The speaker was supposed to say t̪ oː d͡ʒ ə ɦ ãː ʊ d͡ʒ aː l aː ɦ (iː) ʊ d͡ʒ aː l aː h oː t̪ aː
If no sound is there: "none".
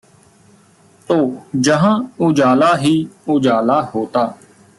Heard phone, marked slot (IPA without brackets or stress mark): iː